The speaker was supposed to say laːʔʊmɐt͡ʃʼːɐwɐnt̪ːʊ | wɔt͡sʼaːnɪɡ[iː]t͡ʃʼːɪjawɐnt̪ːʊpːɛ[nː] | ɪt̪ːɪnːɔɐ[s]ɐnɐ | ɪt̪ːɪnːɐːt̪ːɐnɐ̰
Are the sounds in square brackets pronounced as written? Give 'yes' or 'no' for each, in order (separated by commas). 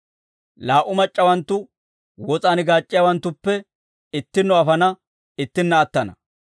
no, no, no